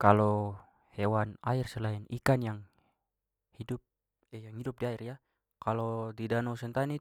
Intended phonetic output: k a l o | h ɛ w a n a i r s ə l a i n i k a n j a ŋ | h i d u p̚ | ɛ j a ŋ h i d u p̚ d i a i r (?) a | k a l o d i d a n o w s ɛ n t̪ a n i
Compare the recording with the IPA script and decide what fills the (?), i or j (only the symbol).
j